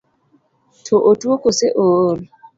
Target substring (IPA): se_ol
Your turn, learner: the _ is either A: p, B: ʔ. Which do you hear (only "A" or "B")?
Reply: B